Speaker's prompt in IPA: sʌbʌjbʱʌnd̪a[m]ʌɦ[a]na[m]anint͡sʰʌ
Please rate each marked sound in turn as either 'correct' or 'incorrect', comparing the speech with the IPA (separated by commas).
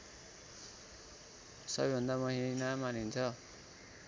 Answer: correct, incorrect, correct